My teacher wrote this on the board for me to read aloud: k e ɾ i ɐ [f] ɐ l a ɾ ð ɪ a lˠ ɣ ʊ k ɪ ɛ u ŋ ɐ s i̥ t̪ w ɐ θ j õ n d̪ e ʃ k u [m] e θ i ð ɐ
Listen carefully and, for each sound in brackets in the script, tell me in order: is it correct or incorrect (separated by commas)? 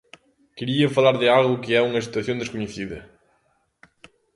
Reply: correct, incorrect